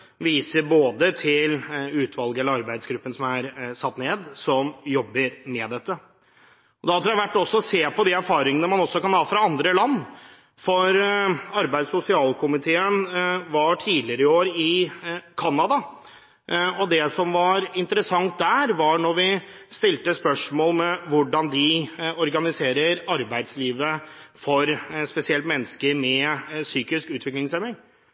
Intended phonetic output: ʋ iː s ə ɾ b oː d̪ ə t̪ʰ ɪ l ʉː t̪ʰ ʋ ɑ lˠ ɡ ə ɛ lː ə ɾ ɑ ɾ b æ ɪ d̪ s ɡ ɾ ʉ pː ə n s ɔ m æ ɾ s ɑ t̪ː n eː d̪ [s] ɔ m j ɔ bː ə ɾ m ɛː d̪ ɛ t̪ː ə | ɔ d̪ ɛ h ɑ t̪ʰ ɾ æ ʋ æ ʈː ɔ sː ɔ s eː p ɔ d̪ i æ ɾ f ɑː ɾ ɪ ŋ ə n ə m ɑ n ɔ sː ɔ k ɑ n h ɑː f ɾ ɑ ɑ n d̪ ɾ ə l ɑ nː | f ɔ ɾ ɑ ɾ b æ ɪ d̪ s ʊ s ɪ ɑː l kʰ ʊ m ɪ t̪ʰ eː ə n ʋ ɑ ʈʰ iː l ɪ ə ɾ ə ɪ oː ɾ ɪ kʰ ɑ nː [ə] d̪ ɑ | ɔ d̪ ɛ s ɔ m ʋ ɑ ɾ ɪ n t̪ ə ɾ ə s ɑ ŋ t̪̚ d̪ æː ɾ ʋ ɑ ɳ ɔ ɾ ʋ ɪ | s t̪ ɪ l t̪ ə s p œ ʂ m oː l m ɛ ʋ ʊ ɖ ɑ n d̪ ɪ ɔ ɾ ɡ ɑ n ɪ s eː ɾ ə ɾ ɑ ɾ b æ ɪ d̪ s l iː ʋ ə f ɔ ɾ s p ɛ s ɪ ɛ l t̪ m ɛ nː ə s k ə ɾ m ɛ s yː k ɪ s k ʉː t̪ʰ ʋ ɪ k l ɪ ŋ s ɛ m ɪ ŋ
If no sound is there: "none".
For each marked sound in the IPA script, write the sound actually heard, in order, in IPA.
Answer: s, ɑ

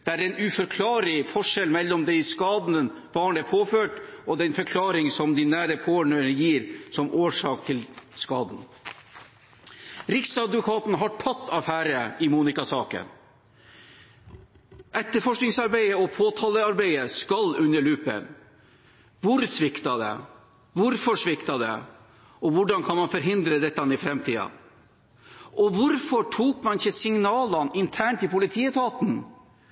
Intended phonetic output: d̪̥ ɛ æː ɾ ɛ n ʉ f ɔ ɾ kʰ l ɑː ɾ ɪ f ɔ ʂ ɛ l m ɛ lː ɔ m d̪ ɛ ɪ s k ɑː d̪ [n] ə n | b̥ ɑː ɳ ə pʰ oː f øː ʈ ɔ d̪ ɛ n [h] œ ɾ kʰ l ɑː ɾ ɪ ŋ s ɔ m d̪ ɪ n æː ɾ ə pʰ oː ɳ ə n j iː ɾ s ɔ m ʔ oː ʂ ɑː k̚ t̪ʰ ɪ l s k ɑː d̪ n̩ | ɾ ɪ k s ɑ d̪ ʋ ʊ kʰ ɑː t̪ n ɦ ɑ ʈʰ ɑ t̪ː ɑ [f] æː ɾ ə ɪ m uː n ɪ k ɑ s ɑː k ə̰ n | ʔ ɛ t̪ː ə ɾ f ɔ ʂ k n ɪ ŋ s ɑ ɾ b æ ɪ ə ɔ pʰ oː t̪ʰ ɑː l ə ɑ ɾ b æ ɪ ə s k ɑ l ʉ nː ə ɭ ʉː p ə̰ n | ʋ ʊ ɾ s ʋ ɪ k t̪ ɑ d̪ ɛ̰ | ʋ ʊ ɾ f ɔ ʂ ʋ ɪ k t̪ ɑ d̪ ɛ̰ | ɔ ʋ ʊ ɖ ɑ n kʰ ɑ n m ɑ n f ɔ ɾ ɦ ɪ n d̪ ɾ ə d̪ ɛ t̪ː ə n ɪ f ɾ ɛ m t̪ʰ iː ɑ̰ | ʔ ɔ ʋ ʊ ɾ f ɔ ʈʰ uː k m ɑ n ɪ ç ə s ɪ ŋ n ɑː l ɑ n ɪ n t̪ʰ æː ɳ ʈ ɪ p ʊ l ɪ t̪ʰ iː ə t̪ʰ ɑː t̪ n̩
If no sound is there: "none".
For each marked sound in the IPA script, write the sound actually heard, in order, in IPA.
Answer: n, f, f

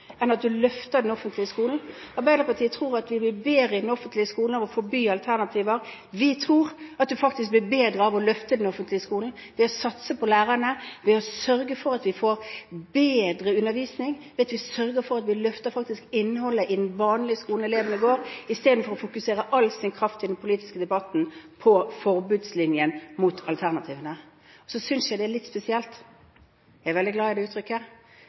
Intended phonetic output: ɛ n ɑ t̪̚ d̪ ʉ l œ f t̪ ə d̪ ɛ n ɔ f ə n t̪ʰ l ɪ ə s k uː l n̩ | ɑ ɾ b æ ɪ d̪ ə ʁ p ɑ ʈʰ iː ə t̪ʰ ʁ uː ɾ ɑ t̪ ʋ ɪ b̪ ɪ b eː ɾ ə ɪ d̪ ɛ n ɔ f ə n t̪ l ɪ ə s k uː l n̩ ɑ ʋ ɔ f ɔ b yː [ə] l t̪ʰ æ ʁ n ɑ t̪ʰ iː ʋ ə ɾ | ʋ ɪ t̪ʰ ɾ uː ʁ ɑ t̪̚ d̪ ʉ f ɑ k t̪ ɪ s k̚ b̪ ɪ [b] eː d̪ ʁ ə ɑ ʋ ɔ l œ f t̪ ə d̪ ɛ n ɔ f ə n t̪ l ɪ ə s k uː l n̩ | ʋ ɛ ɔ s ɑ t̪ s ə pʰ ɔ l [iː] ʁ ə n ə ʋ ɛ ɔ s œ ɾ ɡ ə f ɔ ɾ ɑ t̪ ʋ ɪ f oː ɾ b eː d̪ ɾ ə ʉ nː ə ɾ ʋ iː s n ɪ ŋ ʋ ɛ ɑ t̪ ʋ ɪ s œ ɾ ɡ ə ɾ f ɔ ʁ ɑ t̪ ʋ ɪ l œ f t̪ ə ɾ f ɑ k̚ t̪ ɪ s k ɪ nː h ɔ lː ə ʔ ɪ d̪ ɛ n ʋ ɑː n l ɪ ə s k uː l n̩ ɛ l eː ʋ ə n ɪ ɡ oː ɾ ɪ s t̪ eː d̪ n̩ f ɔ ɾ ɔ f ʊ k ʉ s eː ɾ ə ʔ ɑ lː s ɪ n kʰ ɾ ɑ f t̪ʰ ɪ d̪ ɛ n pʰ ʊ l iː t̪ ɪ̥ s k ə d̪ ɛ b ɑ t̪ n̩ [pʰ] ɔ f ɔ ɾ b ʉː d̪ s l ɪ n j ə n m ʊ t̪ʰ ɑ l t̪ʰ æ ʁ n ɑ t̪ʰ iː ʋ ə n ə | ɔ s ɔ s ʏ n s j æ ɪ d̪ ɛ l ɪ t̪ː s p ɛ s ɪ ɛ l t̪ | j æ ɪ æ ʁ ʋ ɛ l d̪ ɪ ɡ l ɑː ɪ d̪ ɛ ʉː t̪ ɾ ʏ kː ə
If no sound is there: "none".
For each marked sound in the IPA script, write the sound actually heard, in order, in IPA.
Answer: ɑ, b, æː, pʰ

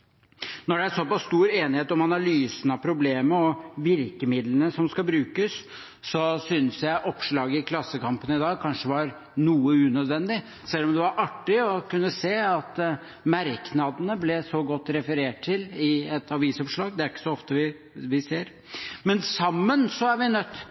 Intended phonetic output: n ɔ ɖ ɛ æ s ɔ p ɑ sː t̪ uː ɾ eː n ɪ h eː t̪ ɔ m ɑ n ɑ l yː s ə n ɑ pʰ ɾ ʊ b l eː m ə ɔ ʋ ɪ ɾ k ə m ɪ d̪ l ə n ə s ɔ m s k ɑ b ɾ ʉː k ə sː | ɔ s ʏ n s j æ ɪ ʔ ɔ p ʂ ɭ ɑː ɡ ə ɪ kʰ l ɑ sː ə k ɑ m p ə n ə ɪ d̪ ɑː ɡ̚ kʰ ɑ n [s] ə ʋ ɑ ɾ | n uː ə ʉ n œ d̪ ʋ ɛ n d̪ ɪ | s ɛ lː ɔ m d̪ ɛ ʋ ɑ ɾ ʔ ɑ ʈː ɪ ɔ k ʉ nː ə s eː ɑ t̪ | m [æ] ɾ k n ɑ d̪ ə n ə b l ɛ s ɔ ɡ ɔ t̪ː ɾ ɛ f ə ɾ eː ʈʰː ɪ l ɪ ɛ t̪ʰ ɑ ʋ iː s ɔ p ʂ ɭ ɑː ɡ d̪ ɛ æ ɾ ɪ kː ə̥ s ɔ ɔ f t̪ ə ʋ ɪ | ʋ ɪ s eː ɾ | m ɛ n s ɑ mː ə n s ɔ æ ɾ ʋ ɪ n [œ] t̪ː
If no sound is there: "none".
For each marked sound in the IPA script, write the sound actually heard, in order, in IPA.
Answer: ʂ, æ, œ

